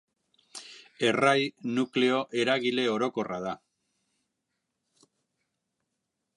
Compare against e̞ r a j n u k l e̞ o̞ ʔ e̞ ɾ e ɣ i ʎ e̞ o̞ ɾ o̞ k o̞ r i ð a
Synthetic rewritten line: e̞ r a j n u k l e̞ o̞ ʔ e̞ ɾ a ɣ i l e̞ o̞ ɾ o̞ k o̞ r a ð a